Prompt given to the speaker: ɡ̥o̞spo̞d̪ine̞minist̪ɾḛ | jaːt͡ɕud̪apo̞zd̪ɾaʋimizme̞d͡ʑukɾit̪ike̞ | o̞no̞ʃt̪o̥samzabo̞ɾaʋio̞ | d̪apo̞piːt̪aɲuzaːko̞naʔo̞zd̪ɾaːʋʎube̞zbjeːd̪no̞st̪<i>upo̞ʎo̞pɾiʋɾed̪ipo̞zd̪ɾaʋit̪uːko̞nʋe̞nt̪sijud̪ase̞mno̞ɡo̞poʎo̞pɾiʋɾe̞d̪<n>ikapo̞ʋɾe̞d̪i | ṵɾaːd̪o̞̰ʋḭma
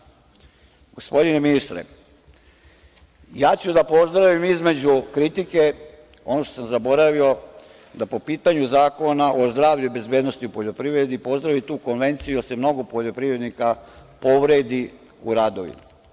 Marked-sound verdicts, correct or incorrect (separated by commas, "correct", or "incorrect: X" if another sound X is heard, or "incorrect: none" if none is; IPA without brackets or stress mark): correct, correct